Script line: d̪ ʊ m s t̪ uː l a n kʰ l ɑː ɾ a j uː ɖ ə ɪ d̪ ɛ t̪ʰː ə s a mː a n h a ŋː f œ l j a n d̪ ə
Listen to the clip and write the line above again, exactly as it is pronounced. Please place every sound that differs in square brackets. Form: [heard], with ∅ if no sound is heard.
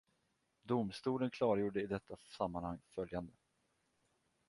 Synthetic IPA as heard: d̪ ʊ m s t̪ uː l [ə] n kʰ l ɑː ɾ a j uː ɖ ə ɪ d̪ ɛ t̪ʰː [a] s a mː a n h a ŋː f œ l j a n d̪ ə